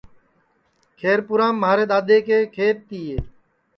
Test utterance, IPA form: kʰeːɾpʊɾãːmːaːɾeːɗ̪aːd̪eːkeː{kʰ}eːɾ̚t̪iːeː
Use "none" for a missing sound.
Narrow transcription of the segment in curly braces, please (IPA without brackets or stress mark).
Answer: kʰ